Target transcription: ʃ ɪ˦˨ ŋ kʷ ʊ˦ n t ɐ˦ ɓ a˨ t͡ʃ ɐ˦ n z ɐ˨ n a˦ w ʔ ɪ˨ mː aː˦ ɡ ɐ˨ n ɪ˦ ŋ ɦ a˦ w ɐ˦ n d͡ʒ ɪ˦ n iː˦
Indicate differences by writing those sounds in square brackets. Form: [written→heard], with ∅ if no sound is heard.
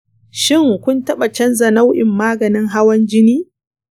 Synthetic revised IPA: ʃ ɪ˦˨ ŋ kʷ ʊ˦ n t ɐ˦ ɓ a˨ t͡ʃ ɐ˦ n z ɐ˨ n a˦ w ʔ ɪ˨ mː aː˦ ɡ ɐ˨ n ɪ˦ ŋ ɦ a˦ w ɐ˦ n d͡ʒ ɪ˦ n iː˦